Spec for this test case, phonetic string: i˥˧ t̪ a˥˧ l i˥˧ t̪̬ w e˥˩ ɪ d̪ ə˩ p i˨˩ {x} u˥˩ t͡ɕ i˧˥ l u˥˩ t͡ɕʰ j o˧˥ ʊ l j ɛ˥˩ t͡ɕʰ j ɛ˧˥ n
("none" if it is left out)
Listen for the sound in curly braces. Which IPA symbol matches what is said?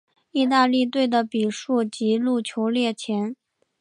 ʂ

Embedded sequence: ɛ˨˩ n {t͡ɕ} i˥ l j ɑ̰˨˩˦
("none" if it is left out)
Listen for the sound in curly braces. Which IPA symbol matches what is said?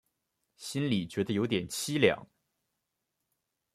t͡ɕʰ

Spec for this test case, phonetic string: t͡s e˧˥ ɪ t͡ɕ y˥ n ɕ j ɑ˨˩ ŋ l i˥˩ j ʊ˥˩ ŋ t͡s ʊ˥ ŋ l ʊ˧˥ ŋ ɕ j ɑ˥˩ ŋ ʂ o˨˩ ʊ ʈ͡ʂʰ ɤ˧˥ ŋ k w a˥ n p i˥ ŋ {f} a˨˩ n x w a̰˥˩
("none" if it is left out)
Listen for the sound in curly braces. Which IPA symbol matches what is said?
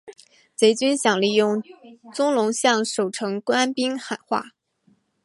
x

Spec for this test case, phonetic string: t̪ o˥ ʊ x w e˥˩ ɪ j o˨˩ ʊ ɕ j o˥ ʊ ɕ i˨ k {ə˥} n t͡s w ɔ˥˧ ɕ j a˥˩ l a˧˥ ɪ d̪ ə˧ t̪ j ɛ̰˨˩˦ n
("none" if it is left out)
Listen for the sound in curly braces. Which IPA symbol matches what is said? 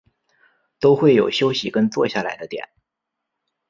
ə˥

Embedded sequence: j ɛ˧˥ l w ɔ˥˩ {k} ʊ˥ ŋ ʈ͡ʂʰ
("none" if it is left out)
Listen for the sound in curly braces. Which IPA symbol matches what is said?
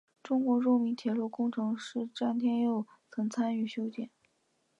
k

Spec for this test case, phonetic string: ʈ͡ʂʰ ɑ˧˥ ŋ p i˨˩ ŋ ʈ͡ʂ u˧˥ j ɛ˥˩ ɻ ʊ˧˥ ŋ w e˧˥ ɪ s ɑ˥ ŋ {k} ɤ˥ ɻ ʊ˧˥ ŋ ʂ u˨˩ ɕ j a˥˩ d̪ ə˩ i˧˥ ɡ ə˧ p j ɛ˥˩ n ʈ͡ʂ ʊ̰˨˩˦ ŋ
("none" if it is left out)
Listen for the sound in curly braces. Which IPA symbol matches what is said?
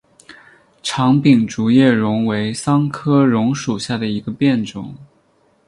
kʰ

